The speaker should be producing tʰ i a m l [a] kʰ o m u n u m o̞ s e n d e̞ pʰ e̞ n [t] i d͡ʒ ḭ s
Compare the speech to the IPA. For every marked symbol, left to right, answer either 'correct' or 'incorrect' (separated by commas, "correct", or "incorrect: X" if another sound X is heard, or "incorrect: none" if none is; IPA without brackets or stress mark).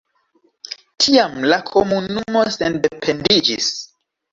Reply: correct, incorrect: d